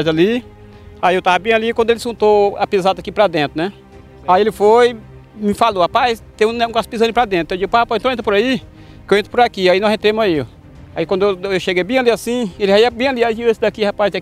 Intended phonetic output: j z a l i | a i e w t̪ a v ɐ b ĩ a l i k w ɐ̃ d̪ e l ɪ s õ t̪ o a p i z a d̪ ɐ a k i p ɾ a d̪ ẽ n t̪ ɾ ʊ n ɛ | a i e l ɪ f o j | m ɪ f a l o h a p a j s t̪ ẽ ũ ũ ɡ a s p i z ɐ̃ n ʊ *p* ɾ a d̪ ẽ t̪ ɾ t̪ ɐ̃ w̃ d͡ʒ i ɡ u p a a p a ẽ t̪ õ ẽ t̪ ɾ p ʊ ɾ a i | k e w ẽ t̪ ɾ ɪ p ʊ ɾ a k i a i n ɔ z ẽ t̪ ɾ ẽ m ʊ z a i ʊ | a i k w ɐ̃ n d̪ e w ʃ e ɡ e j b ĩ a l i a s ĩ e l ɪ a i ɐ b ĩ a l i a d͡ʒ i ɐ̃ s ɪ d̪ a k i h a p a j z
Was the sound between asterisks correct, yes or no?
yes